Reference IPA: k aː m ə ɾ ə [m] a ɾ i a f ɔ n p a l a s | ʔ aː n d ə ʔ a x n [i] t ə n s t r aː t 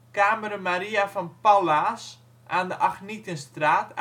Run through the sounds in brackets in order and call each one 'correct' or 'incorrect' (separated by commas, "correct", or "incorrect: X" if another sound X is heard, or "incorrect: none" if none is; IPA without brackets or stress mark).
correct, correct